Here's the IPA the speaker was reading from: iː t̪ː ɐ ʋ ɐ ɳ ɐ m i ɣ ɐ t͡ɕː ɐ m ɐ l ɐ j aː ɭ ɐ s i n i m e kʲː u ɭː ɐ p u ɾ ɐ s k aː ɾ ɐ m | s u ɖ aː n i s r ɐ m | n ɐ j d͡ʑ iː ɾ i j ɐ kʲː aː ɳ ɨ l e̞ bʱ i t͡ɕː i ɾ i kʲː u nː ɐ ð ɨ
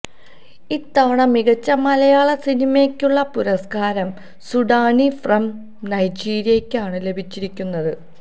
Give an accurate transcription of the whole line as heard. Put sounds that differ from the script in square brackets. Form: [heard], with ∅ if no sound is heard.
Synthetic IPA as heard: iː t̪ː ɐ ʋ ɐ ɳ ɐ m i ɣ ɐ t͡ɕː ɐ m ɐ l ɐ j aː ɭ ɐ s i n i m e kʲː u ɭː ɐ p u ɾ ɐ s k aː ɾ ɐ m | s u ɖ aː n i [f] r ɐ m | n ɐ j d͡ʑ iː ɾ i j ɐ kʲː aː ɳ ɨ l e̞ bʱ i t͡ɕː i ɾ i kʲː u nː ɐ ð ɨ